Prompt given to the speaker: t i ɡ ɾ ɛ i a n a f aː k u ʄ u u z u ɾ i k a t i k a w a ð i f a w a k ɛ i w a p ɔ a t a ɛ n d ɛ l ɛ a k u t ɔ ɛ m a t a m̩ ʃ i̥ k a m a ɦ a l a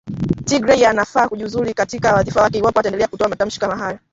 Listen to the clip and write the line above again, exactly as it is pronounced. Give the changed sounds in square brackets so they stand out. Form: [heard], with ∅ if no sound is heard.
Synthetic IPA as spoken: t i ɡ ɾ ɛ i a n a f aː k u ʄ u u z u ɾ i k a t i k a w a ð i f a w a k ɛ i w a p ɔ a t a ɛ n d ɛ l ɛ a k u t ɔ [a] m a t a m̩ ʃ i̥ k a m a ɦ a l a

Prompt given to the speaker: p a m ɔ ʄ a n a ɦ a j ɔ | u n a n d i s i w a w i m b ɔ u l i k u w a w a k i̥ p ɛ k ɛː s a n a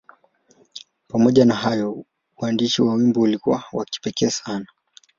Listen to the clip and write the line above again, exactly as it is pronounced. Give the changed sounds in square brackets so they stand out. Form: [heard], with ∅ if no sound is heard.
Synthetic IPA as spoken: p a m ɔ ʄ a n a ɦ a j ɔ | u [∅] a n d i [ʃ] i w a w i m b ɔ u l i k u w a w a k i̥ p ɛ k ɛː s a n a

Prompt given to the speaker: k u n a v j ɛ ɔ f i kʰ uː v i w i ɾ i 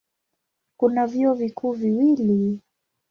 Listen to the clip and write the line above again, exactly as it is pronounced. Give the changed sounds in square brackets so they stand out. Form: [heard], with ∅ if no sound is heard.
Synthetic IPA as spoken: k u n a v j [i] ɔ [v] i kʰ uː v i w i [l] i

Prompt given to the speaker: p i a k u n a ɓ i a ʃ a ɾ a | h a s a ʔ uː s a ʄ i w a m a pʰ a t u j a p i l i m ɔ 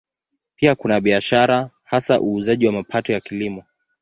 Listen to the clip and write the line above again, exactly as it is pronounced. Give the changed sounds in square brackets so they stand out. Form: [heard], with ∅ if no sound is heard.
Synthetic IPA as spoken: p i a k u n a ɓ i a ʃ a ɾ a | h a s a ʔ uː [z] a ʄ i w a m a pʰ a t [ɔ] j a [k] i l i m ɔ

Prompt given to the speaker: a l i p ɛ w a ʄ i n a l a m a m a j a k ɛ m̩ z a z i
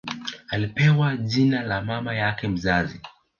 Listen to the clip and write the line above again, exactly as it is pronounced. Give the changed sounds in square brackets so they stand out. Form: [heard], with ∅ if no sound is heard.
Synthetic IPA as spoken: a l i p ɛ w a ʄ i n a l a m a m a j a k ɛ m̩ z a z i

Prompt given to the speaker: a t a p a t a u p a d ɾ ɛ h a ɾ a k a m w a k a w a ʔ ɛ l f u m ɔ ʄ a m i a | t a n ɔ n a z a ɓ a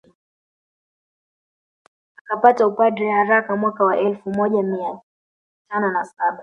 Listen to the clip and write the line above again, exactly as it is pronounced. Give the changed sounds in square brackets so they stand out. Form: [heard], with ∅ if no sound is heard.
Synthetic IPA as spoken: a [k] a p a t a u p a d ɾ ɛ h a ɾ a k a m w a k a w a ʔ ɛ l f u m ɔ ʄ a m i a | t a n ɔ n a [s] a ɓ a

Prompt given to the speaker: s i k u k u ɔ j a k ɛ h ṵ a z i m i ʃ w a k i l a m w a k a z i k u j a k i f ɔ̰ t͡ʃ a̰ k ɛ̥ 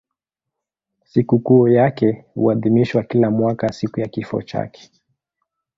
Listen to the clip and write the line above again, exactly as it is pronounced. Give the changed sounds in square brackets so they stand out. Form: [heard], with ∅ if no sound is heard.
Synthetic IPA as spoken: s i k u k u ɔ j a k ɛ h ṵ a [ð] i m i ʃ w a k i l a m w a k a [s] i k u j a k i f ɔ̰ t͡ʃ a̰ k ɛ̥

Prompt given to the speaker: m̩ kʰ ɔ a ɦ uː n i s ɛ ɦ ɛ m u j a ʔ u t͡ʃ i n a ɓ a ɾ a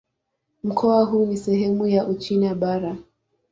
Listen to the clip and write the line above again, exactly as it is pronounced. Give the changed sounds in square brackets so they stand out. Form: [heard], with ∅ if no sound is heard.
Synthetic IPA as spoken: m̩ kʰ ɔ a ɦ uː n i s ɛ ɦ ɛ m u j a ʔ u t͡ʃ i n a ɓ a ɾ a

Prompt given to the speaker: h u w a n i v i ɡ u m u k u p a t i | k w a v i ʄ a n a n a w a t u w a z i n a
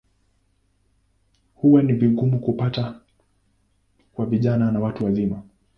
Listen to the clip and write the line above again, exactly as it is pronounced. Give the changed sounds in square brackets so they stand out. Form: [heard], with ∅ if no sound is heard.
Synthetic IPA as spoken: h u w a n i v i ɡ u m u k u p a t [a] | k w a v i ʄ a n a n a w a t u w a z i [m] a

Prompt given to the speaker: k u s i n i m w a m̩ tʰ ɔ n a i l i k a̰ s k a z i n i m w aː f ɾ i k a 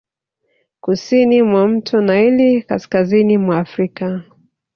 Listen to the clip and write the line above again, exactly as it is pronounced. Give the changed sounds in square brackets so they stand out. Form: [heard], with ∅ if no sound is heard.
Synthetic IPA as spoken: k u s i n i m w a m̩ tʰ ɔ n a i l i k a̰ s k a z i n i m w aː f ɾ i k a

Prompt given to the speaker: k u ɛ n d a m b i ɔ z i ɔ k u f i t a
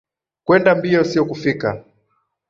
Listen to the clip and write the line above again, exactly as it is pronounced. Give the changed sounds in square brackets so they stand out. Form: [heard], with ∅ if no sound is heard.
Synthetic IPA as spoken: k [w] ɛ n d a m b i ɔ [s] i ɔ k u f i [k] a

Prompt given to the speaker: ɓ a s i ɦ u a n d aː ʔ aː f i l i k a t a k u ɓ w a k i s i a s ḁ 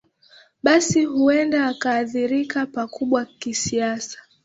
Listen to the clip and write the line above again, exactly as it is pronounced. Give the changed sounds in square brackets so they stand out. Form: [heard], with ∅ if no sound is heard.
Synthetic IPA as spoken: ɓ a s i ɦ u [ɛ] n d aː [k] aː [θ] i [ɾ] i k a [p] a k u ɓ w a k i s i a s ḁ

